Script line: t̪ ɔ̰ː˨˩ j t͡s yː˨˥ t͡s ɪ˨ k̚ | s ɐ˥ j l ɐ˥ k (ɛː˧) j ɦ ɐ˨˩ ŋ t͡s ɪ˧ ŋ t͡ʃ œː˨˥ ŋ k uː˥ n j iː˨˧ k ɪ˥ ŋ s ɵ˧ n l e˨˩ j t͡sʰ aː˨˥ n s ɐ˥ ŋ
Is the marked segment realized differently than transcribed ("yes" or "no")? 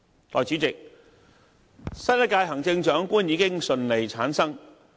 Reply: yes